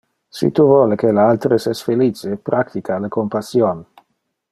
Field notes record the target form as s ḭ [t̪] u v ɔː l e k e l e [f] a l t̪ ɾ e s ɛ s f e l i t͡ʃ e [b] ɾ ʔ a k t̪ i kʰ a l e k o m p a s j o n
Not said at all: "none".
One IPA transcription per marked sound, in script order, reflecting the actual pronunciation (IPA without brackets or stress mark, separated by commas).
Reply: t̪, none, p